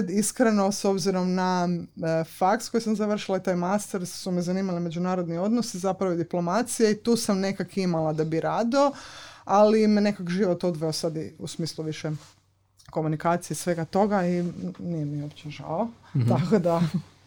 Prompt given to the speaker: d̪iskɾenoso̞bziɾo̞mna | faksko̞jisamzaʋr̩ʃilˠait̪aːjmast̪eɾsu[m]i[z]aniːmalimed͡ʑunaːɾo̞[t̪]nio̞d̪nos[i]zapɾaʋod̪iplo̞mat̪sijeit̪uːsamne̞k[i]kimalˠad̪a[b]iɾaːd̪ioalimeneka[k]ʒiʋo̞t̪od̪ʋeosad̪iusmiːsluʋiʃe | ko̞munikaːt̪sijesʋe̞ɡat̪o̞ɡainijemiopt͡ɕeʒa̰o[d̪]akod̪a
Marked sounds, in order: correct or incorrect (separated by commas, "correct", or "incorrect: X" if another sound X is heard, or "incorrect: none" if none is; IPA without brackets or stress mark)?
correct, correct, incorrect: d̪, correct, incorrect: a, correct, correct, incorrect: t̪